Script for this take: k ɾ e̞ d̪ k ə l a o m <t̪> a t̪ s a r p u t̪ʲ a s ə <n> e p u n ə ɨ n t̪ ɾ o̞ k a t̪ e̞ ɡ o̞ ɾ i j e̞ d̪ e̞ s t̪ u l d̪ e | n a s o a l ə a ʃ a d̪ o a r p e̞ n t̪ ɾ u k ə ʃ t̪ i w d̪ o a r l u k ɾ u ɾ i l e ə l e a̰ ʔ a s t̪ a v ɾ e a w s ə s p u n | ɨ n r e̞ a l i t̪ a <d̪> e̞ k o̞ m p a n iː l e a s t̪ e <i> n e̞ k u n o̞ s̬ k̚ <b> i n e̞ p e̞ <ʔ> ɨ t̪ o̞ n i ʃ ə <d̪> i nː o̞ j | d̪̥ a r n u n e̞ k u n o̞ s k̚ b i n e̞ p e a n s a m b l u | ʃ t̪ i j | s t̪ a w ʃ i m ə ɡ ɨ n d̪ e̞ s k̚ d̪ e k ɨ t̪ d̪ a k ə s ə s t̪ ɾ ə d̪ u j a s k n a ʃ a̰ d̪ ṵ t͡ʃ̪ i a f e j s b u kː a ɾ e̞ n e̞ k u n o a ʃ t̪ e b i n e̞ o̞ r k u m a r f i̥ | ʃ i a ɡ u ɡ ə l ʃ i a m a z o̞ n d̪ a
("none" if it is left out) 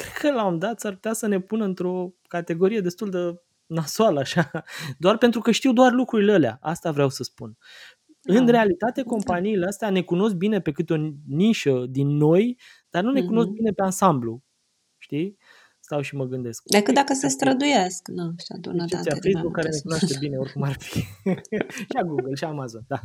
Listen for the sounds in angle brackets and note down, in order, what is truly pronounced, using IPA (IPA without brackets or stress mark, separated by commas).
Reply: d̪, n, t̪, a, b, k, d̪